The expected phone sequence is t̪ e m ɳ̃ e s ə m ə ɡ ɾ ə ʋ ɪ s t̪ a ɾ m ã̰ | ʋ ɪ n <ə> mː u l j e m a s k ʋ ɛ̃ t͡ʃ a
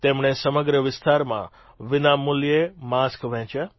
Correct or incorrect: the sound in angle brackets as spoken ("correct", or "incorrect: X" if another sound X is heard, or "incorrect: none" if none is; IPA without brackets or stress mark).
incorrect: a